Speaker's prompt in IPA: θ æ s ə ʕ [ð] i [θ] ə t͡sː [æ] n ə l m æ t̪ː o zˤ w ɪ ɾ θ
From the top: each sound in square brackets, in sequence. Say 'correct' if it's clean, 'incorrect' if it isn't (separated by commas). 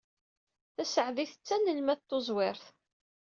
correct, correct, correct